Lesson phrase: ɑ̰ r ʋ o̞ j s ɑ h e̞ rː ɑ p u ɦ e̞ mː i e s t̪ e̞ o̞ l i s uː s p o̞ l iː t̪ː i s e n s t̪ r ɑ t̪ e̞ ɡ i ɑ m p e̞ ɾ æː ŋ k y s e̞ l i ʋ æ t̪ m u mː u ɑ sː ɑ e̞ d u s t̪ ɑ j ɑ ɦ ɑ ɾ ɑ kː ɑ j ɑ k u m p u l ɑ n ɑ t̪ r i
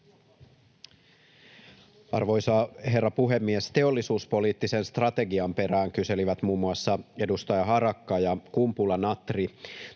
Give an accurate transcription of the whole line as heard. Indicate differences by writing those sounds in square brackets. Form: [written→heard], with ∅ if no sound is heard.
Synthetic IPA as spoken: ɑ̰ r ʋ o̞ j s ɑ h e̞ rː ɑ p u ɦ e̞ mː i e s t̪ e̞ o̞ [l→lː] i s uː s p o̞ l iː t̪ː i s e n s t̪ r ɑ t̪ e̞ ɡ i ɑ m p e̞ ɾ æː ŋ k y s e̞ l i ʋ æ t̪ m [u→uː] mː u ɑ sː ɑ e̞ d u s t̪ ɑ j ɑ ɦ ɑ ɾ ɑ kː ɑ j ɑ k u m p u l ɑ n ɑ t̪ r i